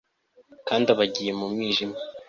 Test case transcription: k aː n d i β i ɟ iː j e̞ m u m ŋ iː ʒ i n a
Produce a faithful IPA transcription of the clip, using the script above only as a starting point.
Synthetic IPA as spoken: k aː n d a β a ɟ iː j e̞ m u m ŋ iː ʒ i m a